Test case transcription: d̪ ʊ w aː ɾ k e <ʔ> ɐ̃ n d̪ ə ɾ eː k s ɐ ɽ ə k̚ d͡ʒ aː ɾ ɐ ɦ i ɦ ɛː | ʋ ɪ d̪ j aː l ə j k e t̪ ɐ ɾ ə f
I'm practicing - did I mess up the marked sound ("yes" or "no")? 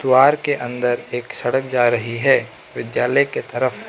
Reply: no